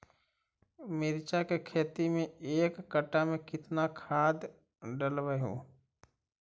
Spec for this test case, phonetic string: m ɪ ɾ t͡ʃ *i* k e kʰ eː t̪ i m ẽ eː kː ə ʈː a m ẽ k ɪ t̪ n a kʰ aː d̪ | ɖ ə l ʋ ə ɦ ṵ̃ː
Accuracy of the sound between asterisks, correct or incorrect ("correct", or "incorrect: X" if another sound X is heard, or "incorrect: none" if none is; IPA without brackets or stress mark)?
incorrect: a